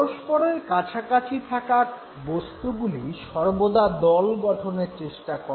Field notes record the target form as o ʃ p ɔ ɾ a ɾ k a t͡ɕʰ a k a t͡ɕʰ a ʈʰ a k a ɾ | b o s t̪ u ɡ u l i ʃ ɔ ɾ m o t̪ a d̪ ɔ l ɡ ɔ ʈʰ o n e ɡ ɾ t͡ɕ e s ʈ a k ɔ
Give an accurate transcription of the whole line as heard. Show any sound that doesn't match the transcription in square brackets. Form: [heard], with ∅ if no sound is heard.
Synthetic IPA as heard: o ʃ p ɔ ɾ [e] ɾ k a t͡ɕʰ a k a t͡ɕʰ [i] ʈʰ a k a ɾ | b o s t̪ u ɡ u l i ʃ ɔ ɾ [b] o [d̪] a d̪ ɔ l ɡ ɔ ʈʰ o n e [∅] ɾ t͡ɕ e [ʃ] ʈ a k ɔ